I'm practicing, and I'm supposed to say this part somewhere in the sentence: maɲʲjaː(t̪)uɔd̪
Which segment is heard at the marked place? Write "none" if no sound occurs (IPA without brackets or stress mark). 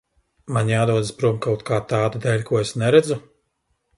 d̪